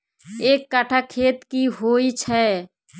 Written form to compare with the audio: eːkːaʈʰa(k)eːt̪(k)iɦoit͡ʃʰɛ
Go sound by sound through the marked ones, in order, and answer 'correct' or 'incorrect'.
incorrect: kʰ, correct

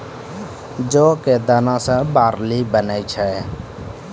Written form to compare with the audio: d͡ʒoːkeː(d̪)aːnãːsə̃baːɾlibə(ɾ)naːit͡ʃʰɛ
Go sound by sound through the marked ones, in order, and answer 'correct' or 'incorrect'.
correct, incorrect: none

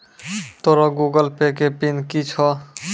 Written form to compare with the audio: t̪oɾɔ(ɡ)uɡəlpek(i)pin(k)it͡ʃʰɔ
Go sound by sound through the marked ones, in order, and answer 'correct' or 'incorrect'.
correct, incorrect: e, correct

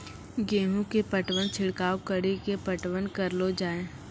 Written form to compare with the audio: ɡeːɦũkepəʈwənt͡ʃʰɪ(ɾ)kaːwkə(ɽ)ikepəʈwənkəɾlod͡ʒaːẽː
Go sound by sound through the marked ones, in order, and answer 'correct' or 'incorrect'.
incorrect: ɽ, correct

